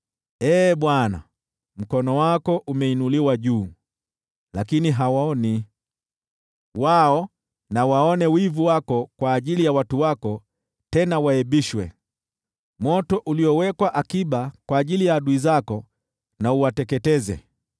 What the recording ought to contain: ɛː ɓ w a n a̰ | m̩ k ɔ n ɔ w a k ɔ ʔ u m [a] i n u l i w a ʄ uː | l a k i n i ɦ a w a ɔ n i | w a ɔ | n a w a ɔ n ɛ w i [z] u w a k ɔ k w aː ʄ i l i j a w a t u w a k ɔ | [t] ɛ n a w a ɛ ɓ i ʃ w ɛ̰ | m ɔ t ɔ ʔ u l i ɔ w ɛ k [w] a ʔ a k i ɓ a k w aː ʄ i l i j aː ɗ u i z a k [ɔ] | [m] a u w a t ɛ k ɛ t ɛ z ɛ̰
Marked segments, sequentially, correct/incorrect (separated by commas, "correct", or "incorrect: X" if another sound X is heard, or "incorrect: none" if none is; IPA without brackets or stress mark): incorrect: ɛ, incorrect: v, correct, correct, correct, incorrect: n